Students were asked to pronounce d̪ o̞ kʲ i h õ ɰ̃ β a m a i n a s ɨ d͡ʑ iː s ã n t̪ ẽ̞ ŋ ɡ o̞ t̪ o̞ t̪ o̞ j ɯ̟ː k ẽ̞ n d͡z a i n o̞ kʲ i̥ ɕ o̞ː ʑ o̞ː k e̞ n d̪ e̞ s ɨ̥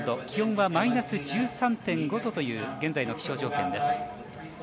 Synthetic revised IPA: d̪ o̞ kʲ i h õ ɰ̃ β a m a i n a s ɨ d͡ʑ ɨː s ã n t̪ ẽ̞ ŋ ɡ o̞ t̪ o̞ t̪ o̞ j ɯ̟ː ɡ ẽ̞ n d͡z a i n o̞ kʲ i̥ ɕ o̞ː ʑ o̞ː k ẽ̞ n d̪ e̞ s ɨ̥